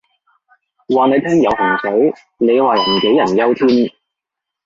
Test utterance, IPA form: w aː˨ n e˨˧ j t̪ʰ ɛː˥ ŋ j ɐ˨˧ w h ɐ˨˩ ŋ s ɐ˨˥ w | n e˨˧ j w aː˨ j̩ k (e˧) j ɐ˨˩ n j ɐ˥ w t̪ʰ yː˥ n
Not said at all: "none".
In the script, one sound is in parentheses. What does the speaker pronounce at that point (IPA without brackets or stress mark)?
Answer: e˨˥